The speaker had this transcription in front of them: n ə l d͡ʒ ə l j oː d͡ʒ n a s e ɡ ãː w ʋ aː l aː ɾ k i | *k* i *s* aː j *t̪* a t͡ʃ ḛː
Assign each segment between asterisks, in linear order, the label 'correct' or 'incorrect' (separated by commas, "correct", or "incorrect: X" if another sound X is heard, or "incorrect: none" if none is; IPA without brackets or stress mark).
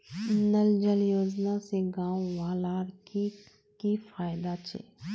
correct, incorrect: f, incorrect: d̪